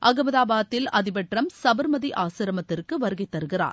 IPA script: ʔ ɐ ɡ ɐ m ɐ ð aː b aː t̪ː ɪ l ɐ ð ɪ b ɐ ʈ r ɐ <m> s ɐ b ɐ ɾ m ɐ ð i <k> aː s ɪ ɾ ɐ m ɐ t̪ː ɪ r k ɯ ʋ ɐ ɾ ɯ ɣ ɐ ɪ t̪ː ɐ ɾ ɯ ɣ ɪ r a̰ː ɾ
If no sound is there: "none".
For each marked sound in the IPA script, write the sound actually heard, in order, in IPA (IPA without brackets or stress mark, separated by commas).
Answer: m, ʔ